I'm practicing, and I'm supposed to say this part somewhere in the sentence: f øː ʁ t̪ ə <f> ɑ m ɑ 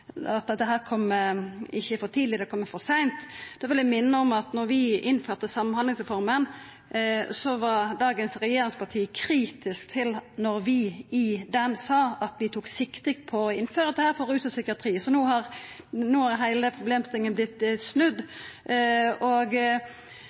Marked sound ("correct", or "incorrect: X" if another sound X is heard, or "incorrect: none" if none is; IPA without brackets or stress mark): incorrect: s